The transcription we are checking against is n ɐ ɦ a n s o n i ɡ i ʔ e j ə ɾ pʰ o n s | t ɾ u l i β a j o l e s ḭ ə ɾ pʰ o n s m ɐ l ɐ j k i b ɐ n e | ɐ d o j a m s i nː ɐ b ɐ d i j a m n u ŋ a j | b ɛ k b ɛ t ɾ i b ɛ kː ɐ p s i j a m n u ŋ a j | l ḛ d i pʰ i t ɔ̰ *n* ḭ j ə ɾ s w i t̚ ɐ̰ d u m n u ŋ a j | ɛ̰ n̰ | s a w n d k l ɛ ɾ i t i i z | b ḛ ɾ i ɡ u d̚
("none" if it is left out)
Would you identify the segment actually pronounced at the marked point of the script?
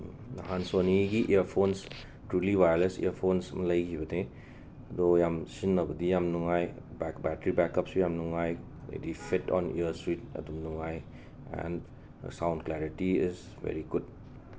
n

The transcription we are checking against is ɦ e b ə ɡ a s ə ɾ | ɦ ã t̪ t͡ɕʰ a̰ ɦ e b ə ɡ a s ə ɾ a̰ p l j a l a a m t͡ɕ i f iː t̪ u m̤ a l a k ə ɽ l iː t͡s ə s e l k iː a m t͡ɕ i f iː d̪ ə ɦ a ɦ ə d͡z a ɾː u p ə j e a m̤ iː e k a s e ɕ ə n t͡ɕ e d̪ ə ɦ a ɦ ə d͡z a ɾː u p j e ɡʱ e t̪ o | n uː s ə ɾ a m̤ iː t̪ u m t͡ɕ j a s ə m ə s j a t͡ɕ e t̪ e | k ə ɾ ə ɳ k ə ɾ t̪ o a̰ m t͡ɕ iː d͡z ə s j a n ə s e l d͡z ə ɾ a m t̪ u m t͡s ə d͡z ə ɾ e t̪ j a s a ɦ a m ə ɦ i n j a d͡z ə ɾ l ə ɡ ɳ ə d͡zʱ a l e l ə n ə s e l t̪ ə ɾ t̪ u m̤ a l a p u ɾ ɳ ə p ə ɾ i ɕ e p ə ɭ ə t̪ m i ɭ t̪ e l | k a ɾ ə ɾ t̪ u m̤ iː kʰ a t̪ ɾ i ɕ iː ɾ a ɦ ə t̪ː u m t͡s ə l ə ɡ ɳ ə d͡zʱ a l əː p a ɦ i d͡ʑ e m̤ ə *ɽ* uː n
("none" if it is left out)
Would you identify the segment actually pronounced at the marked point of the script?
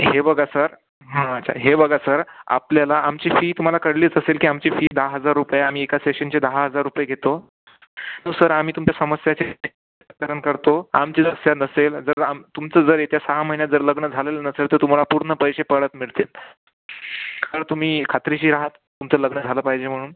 ɽ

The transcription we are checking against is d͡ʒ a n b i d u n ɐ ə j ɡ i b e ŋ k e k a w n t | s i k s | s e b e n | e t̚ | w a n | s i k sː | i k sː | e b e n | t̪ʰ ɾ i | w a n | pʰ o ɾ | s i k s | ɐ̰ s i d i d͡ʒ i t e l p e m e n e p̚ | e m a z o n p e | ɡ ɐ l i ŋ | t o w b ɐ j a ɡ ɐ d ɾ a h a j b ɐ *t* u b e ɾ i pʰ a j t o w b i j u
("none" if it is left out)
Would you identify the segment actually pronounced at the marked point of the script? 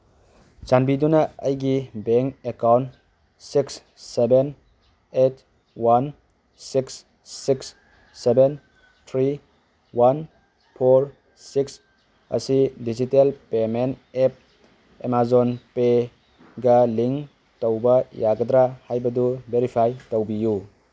d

